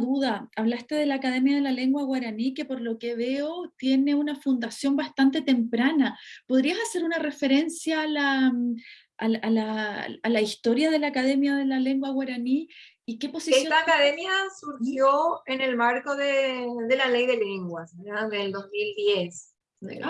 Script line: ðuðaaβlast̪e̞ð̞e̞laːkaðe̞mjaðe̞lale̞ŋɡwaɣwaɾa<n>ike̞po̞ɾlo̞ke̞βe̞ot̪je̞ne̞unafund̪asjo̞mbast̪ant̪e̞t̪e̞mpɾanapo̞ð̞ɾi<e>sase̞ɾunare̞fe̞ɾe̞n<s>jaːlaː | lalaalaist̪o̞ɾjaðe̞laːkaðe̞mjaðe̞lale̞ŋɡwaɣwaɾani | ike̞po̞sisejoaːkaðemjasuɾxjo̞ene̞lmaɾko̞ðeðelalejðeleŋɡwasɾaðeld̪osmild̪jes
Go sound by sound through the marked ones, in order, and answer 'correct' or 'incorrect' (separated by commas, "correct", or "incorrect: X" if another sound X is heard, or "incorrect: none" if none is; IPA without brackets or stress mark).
correct, incorrect: a, correct